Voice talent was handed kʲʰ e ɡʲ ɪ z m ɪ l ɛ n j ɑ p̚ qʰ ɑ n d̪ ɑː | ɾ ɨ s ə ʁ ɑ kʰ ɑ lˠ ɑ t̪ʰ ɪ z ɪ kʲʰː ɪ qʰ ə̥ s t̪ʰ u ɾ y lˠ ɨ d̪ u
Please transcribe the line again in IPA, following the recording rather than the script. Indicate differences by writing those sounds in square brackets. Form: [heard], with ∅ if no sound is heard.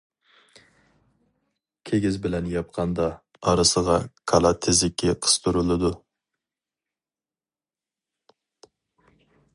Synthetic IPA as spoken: kʲʰ e ɡʲ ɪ z [b] ɪ l ɛ n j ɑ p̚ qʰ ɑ n d̪ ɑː | ɾ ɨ s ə ʁ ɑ kʰ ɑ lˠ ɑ t̪ʰ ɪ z ɪ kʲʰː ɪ qʰ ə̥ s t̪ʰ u ɾ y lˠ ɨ d̪ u